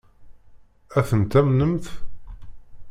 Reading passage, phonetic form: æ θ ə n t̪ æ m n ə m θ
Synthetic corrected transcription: æ θ ə n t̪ æ m n ə m θ